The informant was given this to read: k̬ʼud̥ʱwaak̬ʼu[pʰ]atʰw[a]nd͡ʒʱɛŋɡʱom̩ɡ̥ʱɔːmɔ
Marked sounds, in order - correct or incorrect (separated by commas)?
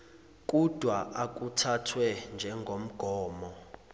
incorrect, incorrect